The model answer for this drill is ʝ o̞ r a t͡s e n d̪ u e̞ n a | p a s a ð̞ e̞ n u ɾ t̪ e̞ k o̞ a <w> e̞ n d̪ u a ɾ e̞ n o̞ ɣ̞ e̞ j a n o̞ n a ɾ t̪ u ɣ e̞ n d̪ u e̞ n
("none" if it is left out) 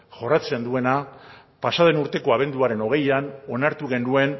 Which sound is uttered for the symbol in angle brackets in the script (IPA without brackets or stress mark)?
β